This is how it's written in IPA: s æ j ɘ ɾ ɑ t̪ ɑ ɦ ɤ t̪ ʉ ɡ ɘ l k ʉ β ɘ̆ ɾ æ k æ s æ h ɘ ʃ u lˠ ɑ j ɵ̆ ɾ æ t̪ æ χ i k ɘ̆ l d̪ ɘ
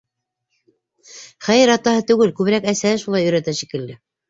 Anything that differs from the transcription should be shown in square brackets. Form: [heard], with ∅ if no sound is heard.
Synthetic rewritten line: [χ] æ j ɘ ɾ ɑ t̪ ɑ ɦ ɤ t̪ ʉ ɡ ɘ l k ʉ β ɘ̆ ɾ æ k æ s æ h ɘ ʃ u lˠ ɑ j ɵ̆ ɾ æ t̪ æ [ʃ] i k ɘ̆ l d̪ ɘ